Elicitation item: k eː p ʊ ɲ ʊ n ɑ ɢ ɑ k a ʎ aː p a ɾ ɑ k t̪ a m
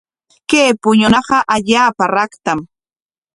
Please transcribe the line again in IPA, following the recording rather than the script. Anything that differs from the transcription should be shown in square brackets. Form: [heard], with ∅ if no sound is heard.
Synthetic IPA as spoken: k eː p ʊ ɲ ʊ n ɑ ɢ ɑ [ʔ] a ʎ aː p a ɾ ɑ k t̪ a m